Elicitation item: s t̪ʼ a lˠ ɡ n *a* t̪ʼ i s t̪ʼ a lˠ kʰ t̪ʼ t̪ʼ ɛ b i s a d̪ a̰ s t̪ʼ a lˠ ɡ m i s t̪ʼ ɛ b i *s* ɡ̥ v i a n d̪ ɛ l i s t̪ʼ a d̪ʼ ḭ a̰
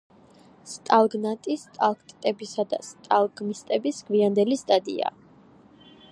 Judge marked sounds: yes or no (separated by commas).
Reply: yes, yes